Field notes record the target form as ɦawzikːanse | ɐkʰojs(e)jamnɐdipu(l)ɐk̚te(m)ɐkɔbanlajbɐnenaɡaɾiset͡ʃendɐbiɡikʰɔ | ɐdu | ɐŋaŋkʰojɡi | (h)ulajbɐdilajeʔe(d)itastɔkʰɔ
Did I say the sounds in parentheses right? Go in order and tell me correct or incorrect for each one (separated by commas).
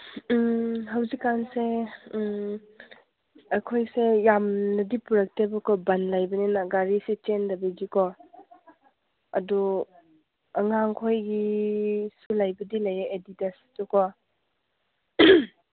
correct, incorrect, incorrect, incorrect, correct